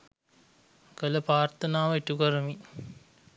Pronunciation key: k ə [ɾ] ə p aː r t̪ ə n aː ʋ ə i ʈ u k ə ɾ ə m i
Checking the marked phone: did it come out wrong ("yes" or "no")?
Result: yes